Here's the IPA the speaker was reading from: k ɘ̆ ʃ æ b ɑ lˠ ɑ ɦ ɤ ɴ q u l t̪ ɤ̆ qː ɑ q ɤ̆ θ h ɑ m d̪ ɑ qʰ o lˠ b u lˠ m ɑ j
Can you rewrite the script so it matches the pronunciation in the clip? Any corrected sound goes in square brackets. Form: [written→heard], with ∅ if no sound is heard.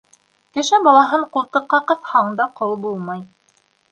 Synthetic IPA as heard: k ɘ̆ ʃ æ b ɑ lˠ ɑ ɦ ɤ ɴ q u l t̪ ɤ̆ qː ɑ q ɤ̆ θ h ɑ [m→ɴ] d̪ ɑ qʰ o lˠ b u lˠ m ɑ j